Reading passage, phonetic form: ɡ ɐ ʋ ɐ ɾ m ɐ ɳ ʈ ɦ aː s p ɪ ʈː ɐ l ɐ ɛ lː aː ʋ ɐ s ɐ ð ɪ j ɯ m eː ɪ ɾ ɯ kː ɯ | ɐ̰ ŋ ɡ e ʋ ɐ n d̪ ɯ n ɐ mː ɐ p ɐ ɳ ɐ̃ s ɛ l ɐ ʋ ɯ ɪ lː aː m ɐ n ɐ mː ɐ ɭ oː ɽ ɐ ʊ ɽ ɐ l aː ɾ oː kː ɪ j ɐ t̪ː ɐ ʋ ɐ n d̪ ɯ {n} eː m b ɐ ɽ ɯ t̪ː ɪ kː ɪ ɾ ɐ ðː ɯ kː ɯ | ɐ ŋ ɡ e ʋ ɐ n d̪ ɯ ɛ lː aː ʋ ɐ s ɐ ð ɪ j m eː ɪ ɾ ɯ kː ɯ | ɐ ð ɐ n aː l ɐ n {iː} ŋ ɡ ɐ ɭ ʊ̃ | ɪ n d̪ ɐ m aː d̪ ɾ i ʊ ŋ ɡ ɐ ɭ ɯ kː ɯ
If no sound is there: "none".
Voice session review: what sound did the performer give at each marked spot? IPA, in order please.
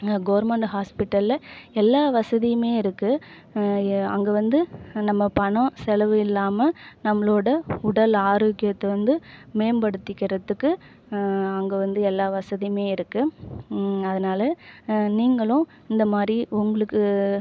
m, iː

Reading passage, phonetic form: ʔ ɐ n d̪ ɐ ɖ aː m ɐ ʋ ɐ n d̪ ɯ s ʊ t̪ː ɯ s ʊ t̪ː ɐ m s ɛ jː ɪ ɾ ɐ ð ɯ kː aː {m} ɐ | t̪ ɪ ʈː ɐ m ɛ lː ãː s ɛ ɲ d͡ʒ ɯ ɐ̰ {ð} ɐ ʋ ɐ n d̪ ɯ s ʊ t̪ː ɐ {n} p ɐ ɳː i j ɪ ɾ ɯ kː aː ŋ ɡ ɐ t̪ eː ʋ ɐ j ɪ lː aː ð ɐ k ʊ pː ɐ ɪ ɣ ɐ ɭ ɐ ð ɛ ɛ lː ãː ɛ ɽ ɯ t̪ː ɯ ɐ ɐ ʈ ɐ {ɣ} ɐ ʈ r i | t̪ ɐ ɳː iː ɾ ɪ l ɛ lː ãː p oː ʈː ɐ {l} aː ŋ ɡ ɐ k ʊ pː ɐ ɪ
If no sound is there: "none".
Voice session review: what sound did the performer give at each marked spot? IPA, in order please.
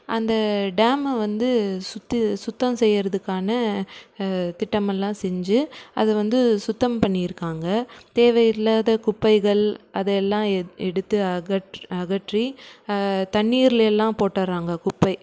n, ð, m, ɣ, ɾ

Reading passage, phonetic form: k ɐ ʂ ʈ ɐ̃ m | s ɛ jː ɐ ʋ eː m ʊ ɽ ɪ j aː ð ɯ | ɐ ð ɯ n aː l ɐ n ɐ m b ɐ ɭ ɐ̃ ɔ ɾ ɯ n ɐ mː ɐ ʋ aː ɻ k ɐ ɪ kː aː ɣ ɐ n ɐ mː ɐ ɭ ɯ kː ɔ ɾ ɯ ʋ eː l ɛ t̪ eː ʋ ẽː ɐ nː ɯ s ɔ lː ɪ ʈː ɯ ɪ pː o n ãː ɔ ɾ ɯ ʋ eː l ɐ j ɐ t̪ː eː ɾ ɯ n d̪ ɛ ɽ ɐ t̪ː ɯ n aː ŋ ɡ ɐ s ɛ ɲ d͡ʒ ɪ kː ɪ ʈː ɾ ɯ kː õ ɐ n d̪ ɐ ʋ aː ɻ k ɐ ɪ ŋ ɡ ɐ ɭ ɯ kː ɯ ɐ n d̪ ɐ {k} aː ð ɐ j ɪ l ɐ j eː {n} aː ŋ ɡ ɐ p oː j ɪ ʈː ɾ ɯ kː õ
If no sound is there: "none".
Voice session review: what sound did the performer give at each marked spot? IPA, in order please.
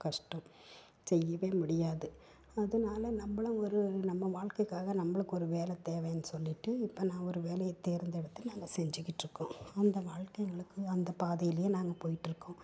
p, n

